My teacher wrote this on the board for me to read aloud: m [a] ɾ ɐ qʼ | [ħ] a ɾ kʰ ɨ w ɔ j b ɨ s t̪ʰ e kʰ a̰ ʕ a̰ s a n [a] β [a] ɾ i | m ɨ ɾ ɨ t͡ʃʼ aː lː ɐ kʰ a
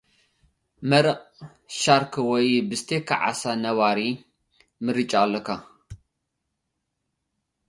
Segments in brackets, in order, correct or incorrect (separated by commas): incorrect, incorrect, incorrect, correct